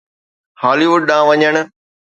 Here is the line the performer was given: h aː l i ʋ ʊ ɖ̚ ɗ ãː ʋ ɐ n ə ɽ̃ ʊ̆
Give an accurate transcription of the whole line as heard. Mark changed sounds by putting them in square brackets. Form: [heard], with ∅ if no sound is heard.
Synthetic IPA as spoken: h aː l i ʋ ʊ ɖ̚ ɗ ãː ʋ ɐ [ɲ] ə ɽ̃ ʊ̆